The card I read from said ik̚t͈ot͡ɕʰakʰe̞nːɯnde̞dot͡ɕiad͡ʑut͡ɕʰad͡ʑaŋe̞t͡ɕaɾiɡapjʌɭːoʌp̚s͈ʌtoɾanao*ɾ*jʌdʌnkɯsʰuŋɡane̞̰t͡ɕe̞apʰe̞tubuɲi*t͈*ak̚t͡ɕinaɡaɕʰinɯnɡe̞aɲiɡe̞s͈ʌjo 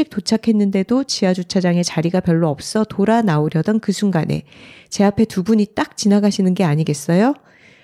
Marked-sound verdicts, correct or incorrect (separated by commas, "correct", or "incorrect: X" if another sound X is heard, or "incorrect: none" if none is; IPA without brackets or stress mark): correct, correct